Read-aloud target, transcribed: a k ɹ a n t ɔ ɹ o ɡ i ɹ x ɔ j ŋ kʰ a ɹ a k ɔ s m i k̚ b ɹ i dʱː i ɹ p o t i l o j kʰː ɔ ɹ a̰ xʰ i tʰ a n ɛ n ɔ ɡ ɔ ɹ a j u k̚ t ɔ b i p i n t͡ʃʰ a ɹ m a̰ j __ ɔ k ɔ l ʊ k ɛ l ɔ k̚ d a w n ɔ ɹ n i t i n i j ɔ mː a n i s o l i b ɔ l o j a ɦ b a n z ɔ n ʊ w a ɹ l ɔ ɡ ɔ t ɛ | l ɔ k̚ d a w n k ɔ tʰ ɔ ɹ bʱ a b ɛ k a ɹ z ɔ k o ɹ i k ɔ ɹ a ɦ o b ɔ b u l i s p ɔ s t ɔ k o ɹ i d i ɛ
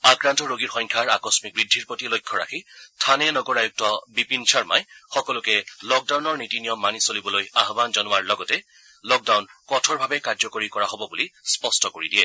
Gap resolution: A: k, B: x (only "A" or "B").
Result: B